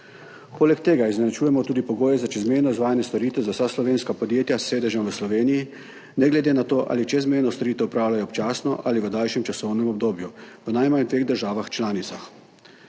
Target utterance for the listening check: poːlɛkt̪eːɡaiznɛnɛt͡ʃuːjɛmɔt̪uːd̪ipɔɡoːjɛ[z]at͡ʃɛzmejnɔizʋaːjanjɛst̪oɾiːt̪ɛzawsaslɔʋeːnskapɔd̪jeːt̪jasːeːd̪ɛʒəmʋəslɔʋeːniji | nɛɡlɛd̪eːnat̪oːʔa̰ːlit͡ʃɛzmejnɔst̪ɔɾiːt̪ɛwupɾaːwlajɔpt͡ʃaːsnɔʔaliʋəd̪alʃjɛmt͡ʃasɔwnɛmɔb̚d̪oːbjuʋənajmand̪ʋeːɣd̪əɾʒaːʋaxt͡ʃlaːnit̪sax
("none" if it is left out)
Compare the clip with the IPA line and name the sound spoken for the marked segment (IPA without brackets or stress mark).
z